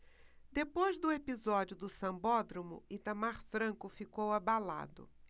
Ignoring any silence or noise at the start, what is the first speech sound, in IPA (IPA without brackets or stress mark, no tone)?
d̪